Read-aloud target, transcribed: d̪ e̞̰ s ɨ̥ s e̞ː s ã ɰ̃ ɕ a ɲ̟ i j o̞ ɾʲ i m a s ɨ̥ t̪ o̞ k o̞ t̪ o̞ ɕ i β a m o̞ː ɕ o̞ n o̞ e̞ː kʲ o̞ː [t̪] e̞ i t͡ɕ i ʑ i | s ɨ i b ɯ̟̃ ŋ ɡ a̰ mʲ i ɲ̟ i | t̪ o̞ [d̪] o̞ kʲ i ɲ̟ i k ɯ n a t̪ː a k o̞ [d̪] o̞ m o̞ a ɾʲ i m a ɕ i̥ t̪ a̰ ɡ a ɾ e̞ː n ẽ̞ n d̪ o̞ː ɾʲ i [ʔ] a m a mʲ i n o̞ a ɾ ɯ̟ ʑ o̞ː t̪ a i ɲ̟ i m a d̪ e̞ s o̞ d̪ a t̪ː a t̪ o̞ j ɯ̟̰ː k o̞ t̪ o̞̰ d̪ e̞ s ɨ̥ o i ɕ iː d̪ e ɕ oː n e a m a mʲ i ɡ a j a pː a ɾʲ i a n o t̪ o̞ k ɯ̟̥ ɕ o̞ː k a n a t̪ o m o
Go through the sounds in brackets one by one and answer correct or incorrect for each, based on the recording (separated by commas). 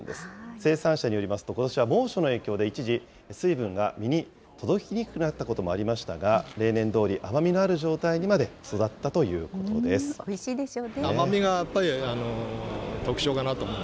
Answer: incorrect, correct, incorrect, correct